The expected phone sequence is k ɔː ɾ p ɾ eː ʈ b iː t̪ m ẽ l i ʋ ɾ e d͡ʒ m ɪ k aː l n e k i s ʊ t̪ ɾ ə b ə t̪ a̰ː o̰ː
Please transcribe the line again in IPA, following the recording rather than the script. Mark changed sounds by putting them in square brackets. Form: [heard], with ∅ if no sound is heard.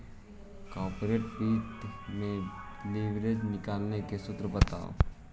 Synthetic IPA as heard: k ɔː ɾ p ɾ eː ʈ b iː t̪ m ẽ l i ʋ ɾ e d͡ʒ [n] ɪ k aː l n e k [e] s ʊ t̪ ɾ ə b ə t̪ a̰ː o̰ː